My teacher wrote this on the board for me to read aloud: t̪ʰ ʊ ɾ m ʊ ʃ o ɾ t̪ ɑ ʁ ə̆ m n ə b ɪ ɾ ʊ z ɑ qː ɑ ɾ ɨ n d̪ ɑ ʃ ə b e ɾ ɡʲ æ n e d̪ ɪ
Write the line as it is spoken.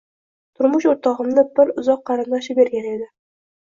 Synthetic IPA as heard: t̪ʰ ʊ ɾ m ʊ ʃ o ɾ t̪ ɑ ʁ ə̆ m n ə b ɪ ɾ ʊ z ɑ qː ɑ ɾ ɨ n d̪ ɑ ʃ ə b e ɾ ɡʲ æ n e d̪ ɪ